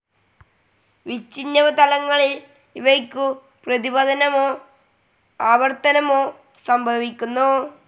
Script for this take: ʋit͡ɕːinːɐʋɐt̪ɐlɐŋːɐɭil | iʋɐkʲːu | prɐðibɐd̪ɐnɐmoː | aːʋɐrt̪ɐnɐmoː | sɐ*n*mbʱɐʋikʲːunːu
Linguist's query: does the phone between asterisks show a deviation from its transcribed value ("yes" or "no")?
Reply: yes